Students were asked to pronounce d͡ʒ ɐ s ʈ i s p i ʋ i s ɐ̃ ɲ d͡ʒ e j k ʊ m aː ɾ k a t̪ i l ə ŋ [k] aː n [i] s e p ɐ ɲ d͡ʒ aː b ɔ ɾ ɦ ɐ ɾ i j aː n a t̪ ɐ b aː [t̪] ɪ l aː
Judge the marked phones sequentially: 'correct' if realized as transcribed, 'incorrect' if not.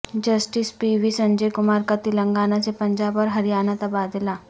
incorrect: ɡ, incorrect: a, incorrect: d̪

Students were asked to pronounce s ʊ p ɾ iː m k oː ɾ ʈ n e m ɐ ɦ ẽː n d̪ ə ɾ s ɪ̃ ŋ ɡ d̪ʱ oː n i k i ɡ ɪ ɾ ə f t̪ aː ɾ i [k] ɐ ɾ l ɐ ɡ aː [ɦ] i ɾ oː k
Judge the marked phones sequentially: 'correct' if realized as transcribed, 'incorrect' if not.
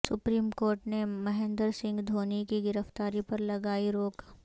incorrect: p, incorrect: none

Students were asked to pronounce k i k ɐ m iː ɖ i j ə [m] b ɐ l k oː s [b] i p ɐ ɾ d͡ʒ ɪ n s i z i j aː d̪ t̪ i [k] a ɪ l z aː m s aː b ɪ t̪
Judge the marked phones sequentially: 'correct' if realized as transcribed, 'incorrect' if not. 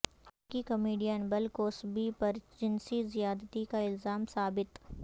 incorrect: n, correct, correct

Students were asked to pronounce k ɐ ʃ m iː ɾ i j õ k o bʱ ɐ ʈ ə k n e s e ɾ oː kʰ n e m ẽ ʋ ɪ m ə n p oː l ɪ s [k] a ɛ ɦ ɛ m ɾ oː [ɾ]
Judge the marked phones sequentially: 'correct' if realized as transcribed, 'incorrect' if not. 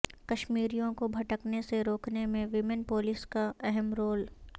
correct, incorrect: l

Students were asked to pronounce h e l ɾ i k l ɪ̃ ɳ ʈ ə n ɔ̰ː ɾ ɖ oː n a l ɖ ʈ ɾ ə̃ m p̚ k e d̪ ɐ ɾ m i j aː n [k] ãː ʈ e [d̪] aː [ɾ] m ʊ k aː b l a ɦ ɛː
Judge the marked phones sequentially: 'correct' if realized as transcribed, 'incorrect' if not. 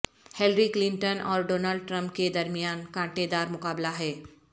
correct, correct, correct

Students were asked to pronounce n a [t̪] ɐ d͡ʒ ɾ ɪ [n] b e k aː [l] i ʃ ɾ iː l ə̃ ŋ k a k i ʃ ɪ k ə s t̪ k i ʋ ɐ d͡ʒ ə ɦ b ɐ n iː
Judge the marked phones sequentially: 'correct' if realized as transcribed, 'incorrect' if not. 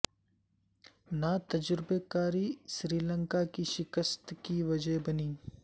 correct, incorrect: none, incorrect: ɾ

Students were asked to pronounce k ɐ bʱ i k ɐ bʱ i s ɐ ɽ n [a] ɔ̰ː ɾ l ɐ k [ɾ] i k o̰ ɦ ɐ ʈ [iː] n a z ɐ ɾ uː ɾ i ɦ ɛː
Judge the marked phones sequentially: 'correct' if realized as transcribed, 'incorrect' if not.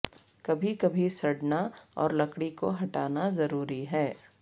correct, incorrect: ɽ, incorrect: aː

